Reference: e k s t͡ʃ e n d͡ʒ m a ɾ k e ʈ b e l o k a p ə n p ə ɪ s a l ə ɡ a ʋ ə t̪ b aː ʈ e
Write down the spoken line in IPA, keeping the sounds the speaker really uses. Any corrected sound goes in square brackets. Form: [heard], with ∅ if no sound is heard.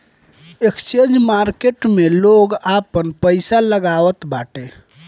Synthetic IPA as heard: e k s t͡ʃ e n d͡ʒ m a ɾ k e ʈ [m] e l o [ɡ] a p ə n p ə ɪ s a l ə ɡ a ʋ ə t̪ b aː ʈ e